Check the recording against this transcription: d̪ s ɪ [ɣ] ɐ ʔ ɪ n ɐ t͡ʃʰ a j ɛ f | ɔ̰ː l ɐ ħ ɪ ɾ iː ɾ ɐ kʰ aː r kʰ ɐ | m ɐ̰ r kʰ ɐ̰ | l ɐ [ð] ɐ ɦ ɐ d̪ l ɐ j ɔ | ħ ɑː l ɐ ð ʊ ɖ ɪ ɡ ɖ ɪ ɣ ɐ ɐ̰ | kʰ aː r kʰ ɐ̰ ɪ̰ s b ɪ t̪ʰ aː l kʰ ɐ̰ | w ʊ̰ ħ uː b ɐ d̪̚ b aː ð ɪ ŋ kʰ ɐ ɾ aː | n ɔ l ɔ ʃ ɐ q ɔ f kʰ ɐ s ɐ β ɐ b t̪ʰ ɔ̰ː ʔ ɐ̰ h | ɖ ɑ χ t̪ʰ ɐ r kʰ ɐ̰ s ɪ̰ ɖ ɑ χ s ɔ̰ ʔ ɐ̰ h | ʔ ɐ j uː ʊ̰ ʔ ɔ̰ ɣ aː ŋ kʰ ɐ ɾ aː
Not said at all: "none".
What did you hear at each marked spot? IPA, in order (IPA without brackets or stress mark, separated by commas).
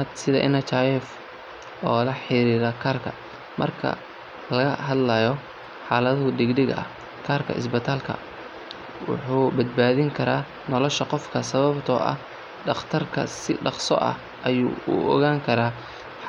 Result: ð, ɣ